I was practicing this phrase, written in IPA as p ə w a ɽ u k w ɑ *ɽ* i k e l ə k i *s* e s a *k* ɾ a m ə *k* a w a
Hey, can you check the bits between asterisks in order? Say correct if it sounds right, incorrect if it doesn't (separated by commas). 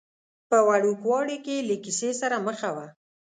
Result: correct, correct, incorrect, incorrect